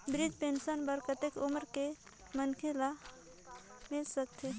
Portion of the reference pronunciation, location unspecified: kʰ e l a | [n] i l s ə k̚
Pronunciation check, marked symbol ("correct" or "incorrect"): incorrect